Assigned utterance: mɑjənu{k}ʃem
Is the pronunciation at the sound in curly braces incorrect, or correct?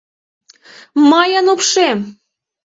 incorrect